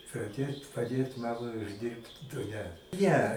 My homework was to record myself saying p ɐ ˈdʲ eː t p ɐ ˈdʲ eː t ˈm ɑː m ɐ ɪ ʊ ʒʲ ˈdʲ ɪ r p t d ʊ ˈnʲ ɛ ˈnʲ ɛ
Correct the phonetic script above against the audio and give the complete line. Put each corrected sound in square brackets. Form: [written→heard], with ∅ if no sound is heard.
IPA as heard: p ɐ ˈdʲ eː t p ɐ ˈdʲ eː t ˈm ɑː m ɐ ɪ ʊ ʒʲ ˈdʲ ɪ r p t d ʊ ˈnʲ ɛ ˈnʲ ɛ

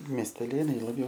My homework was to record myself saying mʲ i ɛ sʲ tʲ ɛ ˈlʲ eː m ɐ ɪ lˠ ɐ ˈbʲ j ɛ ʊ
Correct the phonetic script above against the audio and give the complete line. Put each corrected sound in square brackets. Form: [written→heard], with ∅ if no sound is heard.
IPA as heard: mʲ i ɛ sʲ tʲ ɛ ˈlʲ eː [m→n] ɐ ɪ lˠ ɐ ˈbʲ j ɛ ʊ

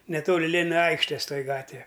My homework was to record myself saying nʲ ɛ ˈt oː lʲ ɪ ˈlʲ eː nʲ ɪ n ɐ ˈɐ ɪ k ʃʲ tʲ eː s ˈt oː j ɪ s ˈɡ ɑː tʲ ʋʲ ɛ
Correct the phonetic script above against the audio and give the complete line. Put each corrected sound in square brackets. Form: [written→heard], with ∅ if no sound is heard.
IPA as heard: nʲ ɛ ˈt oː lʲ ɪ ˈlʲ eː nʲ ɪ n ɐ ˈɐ ɪ k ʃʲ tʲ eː s ˈt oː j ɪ [s→∅] ˈɡ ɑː tʲ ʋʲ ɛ

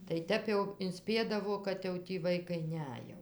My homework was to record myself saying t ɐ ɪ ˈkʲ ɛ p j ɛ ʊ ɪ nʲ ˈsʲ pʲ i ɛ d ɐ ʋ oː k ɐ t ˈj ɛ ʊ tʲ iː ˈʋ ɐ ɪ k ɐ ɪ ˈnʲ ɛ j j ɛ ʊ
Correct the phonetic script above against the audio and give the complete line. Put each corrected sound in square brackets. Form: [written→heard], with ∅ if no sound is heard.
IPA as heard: t ɐ ɪ [ˈkʲ→ˈtʲ] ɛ p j ɛ ʊ ɪ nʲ ˈsʲ pʲ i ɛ d ɐ ʋ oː k ɐ t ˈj ɛ ʊ tʲ iː ˈʋ ɐ ɪ k ɐ ɪ ˈnʲ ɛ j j ɛ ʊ

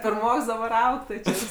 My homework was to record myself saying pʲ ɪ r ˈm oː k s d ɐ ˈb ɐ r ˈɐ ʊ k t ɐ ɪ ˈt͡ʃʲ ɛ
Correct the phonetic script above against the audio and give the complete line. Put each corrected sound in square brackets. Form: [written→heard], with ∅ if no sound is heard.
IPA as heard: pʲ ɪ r ˈm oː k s d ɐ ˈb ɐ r ˈɐ ʊ k t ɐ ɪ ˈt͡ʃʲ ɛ

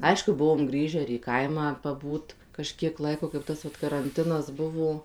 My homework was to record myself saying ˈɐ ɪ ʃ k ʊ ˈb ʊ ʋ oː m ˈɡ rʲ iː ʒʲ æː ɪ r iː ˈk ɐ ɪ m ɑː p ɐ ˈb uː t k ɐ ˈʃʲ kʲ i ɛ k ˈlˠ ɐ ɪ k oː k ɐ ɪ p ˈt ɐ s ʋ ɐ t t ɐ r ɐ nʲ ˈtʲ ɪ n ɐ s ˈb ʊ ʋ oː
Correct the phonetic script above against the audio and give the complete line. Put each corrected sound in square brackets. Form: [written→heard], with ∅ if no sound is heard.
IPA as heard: ˈɐ ɪ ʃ k ʊ ˈb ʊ ʋ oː m ˈɡ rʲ iː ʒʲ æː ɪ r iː ˈk ɐ ɪ m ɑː p ɐ ˈb uː t k ɐ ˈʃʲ kʲ i ɛ k ˈlˠ ɐ ɪ k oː k ɐ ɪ p ˈt ɐ s ʋ ɐ t [t→k] ɐ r ɐ nʲ ˈtʲ ɪ n ɐ s ˈb ʊ ʋ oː

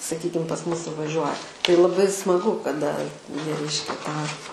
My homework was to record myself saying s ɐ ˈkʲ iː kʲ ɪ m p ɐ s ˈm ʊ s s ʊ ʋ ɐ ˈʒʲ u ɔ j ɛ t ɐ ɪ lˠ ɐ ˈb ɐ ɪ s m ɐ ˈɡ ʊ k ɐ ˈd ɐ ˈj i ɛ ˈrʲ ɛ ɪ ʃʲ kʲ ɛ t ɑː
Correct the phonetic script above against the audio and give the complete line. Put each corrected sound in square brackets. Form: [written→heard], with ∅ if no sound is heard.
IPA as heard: s ɐ ˈkʲ iː kʲ ɪ m p ɐ s ˈm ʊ s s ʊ ʋ ɐ ˈʒʲ u ɔ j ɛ t ɐ ɪ lˠ ɐ ˈb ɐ ɪ s m ɐ ˈɡ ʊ k ɐ ˈd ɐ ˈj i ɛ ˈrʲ ɛ ɪ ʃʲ kʲ ɛ t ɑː

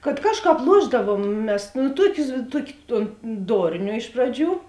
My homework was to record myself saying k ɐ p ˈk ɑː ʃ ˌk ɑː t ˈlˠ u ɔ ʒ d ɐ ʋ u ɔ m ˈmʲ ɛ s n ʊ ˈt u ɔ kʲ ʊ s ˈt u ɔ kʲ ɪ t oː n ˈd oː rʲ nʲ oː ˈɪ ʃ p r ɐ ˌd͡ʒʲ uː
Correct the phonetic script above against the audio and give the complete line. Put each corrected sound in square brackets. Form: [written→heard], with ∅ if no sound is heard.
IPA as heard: k ɐ [p→t] ˈk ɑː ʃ ˌk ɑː [t→p] ˈlˠ u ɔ ʒ d ɐ ʋ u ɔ m ˈmʲ ɛ s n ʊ ˈt u ɔ kʲ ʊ s ˈt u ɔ kʲ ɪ t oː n ˈd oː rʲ nʲ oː ˈɪ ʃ p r ɐ ˌd͡ʒʲ uː

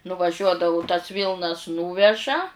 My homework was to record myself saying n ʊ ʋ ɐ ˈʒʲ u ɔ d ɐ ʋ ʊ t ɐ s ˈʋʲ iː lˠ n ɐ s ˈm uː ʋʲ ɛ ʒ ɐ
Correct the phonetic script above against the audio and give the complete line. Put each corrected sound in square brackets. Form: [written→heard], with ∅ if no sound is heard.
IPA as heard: n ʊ ʋ ɐ ˈʒʲ u ɔ d ɐ ʋ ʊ t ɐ s ˈʋʲ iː lˠ n ɐ s [ˈm→ˈn] uː ʋʲ ɛ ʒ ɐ

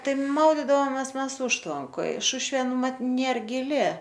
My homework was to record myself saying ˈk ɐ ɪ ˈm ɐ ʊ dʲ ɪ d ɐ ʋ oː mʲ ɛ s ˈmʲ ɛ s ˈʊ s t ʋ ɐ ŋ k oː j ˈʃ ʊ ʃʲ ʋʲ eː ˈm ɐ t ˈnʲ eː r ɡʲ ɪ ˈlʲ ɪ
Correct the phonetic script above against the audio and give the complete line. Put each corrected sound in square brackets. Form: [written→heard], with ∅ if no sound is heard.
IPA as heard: [ˈk→ˈt] ɐ ɪ ˈm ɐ ʊ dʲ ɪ d ɐ ʋ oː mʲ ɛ s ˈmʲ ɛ s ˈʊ [s→ʃ] t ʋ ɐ ŋ k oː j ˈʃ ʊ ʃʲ ʋʲ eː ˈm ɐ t ˈnʲ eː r ɡʲ ɪ ˈlʲ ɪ

